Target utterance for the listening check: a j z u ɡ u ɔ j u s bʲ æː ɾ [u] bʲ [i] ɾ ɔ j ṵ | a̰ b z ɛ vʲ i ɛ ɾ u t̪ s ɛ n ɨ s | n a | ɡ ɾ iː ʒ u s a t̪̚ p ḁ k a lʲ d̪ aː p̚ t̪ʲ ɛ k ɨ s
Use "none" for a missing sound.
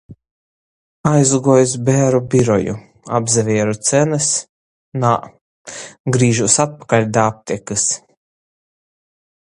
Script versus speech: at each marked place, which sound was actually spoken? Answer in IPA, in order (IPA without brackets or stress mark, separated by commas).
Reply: u, i